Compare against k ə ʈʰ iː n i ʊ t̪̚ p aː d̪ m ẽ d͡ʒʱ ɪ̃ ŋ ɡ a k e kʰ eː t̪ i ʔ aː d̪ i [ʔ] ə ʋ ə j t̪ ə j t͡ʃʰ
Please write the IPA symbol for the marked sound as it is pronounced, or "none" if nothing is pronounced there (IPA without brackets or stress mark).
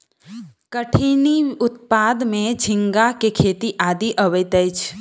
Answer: ʔ